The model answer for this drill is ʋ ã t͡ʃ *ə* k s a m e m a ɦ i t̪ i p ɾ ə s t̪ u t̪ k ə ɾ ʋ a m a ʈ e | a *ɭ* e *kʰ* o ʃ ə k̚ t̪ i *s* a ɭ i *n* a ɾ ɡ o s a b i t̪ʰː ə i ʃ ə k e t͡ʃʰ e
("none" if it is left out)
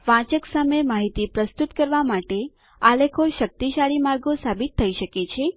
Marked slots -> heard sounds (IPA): ə, l, kʰ, ʃ, m

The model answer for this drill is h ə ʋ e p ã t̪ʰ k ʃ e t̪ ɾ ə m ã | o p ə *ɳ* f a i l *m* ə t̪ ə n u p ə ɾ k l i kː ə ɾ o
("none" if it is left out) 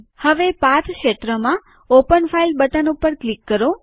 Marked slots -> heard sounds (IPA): n, b

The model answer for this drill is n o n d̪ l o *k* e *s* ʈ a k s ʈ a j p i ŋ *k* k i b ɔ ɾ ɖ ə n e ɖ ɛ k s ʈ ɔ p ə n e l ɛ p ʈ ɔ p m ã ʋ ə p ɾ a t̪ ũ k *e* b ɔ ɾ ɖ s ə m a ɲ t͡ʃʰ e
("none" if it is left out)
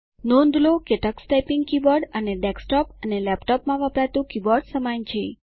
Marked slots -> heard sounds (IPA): k, none, ɡ, i

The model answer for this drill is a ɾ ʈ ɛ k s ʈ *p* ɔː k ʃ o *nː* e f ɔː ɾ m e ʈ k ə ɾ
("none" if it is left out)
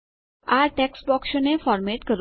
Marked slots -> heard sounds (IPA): b, n

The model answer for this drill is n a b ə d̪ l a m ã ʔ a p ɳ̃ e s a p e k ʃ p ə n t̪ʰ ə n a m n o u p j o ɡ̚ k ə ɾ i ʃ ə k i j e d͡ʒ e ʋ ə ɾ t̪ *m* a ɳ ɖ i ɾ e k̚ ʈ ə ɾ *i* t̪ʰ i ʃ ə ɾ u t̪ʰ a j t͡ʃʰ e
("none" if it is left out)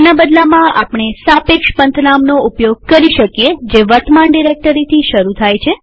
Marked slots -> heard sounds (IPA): m, i

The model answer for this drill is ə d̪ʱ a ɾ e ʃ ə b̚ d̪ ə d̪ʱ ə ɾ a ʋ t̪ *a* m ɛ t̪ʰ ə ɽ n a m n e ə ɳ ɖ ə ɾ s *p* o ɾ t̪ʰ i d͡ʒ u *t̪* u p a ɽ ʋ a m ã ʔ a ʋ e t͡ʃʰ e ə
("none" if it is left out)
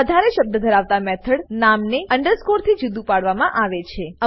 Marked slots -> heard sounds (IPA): a, k, d̪

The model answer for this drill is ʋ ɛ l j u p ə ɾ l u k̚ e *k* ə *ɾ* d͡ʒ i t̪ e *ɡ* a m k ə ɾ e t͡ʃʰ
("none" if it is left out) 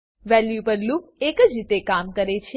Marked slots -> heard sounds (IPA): k, none, k

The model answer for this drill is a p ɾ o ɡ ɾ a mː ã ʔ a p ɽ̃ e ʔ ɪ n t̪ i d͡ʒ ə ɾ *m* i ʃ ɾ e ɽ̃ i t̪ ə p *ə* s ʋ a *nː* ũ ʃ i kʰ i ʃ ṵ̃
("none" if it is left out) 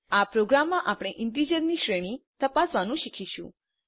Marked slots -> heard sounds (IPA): n, a, n

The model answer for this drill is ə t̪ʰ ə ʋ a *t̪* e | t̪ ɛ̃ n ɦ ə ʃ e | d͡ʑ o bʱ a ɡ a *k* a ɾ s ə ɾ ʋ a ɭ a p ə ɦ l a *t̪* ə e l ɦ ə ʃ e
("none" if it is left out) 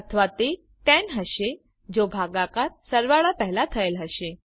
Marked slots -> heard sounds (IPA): t̪, k, t̪ʰ

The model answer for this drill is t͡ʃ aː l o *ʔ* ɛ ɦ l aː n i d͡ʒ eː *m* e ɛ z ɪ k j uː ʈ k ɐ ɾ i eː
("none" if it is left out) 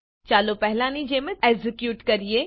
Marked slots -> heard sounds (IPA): p, m

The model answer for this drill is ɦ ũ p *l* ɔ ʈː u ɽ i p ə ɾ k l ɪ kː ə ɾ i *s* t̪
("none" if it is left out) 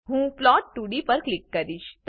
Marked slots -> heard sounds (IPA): l, ʃ

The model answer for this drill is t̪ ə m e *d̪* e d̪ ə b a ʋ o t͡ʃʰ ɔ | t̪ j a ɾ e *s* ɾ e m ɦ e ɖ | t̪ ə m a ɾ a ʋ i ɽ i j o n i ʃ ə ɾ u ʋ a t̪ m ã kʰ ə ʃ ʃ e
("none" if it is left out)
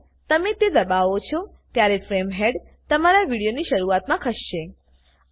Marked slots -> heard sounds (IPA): t̪, f

